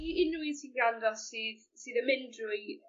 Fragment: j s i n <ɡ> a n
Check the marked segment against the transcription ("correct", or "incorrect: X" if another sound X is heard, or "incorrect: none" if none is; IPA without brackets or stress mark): correct